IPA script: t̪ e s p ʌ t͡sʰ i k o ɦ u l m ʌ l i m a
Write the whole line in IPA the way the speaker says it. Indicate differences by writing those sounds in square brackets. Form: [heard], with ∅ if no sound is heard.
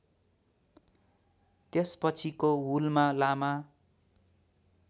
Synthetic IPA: t̪ e s p ʌ t͡sʰ i k o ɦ u l m [a] l [a] m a